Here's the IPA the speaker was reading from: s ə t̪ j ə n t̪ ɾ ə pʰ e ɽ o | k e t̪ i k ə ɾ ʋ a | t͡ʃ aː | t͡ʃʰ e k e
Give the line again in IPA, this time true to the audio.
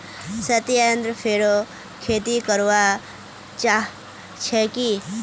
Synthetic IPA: s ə t̪ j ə n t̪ ɾ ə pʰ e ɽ o | kʰ e t̪ i k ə ɾ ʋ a | t͡ʃ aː | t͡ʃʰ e k i